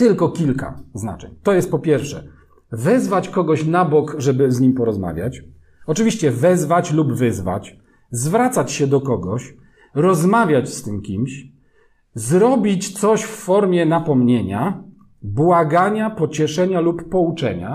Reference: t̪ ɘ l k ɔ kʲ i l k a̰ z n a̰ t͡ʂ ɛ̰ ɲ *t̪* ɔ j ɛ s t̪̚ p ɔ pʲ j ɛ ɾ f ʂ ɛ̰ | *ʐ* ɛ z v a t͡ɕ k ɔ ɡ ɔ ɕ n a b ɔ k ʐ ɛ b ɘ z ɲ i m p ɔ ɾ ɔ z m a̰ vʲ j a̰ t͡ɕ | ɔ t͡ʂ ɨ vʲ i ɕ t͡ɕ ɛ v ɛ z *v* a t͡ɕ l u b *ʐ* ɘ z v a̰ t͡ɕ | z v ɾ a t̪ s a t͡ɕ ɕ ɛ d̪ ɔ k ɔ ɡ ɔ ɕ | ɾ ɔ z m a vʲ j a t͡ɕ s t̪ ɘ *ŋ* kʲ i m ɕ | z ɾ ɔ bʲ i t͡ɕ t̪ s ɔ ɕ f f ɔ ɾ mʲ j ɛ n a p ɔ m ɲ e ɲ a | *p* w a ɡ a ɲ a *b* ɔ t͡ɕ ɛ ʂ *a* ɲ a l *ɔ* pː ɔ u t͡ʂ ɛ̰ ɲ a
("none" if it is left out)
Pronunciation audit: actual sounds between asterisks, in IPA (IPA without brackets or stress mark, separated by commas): t̪, v, v, v, m, b, p, ɛ, u